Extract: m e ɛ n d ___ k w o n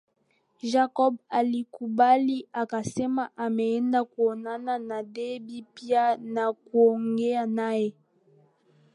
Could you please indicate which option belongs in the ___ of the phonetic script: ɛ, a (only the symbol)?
a